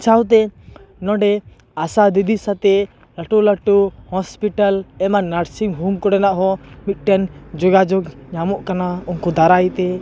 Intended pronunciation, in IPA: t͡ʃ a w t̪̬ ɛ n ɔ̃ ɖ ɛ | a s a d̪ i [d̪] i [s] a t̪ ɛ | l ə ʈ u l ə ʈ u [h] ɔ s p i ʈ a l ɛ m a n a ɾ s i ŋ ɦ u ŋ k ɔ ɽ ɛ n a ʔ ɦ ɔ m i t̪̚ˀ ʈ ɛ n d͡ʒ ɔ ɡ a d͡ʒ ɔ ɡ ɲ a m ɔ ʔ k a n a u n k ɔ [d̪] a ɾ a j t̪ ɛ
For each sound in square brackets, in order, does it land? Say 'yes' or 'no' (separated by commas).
yes, yes, yes, yes